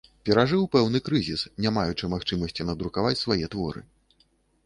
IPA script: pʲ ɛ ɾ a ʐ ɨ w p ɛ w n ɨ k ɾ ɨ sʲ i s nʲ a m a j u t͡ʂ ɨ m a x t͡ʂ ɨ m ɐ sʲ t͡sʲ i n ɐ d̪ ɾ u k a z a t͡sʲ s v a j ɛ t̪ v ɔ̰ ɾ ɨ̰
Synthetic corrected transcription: pʲ ɛ ɾ a ʐ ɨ w p ɛ w n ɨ k ɾ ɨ zʲ i s nʲ a m a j u t͡ʂ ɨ m a x t͡ʂ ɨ m ɐ sʲ t͡sʲ i n ɐ d̪ ɾ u k a v a t͡sʲ s v a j ɛ t̪ v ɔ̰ ɾ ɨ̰